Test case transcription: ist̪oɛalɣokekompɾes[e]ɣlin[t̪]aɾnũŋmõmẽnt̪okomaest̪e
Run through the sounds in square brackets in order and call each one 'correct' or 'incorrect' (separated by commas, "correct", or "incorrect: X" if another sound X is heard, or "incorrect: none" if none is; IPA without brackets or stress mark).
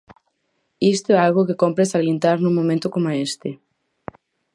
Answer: incorrect: a, correct